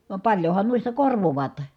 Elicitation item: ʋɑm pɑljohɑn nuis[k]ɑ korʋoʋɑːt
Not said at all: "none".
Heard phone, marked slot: t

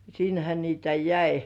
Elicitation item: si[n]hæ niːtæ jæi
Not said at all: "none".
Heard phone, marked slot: n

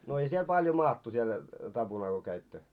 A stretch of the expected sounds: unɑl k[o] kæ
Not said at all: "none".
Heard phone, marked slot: o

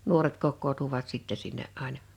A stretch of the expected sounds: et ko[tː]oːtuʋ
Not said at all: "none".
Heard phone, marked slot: kː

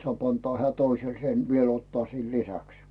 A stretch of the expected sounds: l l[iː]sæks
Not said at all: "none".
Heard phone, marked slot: i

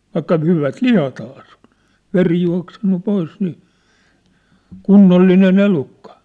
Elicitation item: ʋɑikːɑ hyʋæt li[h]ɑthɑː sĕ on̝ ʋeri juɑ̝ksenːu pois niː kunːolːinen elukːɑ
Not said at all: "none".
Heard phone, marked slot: h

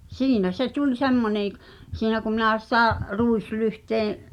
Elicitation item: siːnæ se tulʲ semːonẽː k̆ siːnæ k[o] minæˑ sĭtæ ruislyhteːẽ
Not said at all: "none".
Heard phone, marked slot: u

